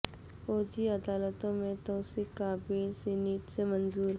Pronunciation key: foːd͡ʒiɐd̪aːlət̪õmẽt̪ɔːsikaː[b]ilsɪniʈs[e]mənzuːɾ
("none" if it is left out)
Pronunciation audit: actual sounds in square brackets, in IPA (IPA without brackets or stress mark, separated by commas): b, e